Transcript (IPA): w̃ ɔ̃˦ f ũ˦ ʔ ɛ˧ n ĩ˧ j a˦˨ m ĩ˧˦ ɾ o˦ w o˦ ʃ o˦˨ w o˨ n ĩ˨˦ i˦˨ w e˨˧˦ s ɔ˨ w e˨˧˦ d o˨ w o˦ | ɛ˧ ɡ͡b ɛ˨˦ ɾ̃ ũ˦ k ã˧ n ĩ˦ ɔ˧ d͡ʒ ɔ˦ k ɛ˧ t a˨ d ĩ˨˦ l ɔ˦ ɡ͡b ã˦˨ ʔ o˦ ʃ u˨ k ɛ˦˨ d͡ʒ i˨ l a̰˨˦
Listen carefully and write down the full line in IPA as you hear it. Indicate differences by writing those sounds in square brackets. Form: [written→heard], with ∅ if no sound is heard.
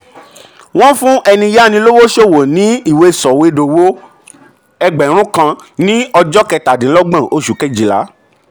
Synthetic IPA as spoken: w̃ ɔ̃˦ f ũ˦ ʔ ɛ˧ n ĩ˧ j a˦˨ [m→n] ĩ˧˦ [ɾ→l] o˦ w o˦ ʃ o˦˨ w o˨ n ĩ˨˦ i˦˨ w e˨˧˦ s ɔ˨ w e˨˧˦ d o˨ w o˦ | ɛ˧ ɡ͡b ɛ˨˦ ɾ̃ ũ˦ k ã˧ n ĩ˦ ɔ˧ d͡ʒ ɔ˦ k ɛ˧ t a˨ d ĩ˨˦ l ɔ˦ ɡ͡b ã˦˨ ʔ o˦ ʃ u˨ k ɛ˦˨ d͡ʒ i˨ l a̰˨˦